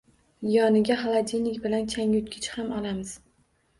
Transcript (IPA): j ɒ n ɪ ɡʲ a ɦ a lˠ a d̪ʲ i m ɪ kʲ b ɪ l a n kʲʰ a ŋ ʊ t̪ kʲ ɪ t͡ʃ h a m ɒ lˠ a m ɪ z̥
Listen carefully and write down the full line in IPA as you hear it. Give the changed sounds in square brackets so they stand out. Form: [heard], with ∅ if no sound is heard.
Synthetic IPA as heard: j ɒ n ɪ ɡʲ a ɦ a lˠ a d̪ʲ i [n] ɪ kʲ b ɪ l a n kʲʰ a ŋ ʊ t̪ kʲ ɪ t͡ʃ h a m ɒ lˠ a m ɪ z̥